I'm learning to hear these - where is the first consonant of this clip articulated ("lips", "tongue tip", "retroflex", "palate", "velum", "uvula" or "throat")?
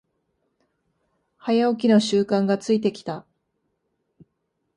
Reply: throat